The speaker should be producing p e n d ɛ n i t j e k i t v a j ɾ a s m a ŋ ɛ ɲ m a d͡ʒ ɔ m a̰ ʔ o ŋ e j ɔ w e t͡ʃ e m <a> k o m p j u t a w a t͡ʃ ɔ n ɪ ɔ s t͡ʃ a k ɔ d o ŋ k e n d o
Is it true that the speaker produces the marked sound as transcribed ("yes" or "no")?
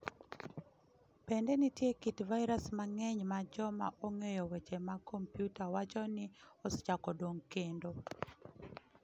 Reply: yes